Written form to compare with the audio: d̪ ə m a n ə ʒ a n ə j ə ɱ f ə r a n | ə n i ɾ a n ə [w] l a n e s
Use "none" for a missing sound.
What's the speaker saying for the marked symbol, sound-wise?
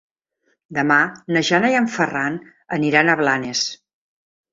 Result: β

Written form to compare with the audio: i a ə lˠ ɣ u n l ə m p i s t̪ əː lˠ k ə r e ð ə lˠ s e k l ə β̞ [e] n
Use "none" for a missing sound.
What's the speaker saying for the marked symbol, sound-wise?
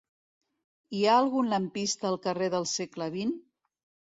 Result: i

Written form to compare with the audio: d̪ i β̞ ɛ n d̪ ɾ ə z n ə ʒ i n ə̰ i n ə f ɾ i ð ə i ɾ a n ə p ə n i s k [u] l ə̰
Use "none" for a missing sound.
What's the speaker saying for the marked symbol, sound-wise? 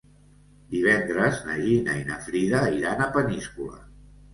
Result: u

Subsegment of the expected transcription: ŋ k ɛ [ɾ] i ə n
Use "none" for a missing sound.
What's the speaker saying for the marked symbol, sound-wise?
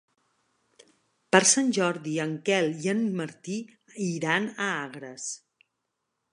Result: l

